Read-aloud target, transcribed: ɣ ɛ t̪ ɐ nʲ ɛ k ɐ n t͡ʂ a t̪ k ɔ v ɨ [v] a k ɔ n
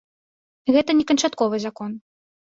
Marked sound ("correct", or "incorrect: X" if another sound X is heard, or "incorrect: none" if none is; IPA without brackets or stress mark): incorrect: z